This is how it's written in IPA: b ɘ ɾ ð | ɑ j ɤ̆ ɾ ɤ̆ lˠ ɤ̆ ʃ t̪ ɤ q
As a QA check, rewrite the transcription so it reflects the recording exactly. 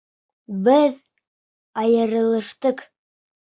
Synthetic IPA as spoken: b ɘ ð | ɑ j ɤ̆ ɾ ɤ̆ lˠ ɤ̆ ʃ t̪ ɤ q